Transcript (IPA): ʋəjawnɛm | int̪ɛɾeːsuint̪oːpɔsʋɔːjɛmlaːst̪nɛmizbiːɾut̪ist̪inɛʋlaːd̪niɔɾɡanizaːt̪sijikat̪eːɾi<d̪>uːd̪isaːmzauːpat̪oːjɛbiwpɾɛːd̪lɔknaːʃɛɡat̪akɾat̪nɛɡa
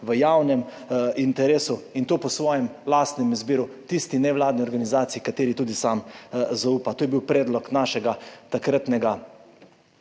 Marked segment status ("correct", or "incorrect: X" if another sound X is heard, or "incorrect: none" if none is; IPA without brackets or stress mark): incorrect: t̪